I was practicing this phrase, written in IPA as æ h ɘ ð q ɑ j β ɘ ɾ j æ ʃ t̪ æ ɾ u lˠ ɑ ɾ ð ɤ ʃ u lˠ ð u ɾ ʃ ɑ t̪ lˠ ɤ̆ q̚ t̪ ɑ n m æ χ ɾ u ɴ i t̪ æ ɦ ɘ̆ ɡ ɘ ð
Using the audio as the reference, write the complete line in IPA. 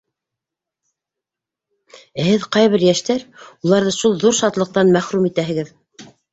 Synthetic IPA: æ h ɘ ð q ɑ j β ɘ ɾ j æ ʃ t̪ æ ɾ u lˠ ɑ ɾ ð ɤ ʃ u lˠ ð u ɾ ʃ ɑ t̪ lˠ ɤ̆ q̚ t̪ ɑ n m æ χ ɾ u m i t̪ æ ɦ ɘ̆ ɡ ɘ ð